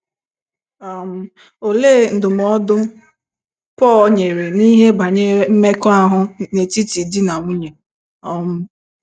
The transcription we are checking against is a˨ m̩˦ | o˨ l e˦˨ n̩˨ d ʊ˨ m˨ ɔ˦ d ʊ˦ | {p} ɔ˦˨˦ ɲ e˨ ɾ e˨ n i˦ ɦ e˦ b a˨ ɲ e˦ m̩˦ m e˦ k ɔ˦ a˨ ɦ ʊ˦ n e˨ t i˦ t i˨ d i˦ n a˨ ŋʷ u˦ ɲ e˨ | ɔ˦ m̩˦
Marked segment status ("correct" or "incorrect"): correct